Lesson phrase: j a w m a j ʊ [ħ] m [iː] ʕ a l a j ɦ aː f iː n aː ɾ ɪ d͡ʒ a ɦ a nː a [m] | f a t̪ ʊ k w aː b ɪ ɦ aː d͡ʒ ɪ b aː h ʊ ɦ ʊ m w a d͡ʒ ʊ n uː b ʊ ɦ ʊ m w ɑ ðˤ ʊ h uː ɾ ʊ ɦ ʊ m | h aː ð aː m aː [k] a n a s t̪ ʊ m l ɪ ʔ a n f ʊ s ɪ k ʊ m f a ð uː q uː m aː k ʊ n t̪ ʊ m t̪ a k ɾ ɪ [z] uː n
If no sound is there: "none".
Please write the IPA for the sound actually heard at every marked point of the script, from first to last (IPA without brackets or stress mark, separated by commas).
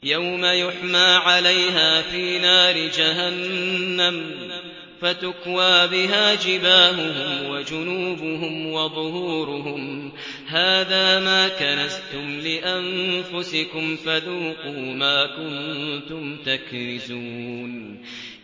ħ, aː, m, k, z